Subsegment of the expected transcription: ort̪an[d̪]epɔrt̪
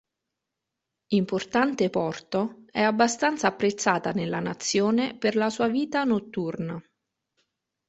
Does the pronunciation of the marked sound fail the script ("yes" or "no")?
yes